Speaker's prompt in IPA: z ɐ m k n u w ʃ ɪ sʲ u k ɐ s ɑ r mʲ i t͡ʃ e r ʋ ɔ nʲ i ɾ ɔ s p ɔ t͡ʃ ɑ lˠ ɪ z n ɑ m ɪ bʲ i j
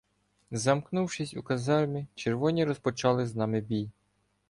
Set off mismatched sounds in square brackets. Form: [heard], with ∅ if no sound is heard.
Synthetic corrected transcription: z ɐ m k n u w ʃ ɪ sʲ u k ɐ [z] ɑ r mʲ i t͡ʃ e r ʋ ɔ nʲ i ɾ ɔ s p ɔ t͡ʃ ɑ lˠ ɪ z n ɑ m ɪ bʲ i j